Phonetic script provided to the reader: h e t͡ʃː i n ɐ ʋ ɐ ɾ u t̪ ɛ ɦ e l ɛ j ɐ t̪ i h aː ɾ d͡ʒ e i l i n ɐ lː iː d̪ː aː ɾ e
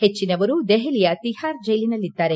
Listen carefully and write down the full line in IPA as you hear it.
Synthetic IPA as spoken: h e t͡ʃː i n ɐ ʋ ɐ ɾ u d̪ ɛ ɦ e l i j ɐ t̪ i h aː ɾ d͡ʒ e j l i n ɐ lː i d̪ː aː ɾ e